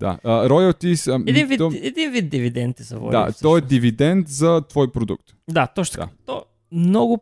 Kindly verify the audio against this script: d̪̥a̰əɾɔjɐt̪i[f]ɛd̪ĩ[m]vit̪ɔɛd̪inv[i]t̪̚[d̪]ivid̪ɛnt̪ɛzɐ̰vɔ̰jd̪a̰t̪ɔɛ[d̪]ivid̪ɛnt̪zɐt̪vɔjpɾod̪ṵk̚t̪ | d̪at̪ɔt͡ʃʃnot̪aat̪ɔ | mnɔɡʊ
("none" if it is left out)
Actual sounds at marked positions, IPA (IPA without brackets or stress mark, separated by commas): s, n, i, d̪, d̪